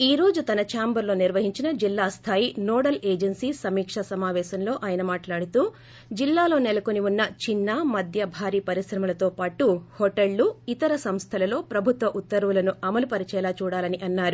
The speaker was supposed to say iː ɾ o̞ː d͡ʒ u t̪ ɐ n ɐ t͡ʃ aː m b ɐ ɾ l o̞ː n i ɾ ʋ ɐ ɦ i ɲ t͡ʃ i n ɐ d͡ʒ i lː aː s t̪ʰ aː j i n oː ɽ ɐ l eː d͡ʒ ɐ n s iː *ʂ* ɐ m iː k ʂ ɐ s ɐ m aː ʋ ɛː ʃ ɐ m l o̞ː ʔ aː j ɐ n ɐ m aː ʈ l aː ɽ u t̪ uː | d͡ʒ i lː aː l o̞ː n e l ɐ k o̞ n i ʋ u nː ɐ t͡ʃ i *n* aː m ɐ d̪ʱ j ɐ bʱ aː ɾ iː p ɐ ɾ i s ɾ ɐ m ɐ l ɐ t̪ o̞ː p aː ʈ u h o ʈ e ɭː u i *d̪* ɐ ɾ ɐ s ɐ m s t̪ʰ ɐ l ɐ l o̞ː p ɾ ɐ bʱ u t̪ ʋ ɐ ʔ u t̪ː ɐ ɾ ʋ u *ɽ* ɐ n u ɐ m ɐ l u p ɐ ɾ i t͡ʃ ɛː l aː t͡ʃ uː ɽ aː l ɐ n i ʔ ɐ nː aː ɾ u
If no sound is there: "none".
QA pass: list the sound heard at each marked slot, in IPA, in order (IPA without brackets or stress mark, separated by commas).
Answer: s, nː, t̪, l